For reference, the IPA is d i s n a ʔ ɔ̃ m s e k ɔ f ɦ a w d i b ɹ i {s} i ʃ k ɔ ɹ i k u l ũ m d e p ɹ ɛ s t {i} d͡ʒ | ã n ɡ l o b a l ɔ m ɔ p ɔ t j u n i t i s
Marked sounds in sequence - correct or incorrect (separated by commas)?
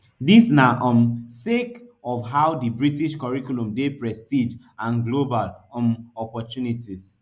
incorrect, correct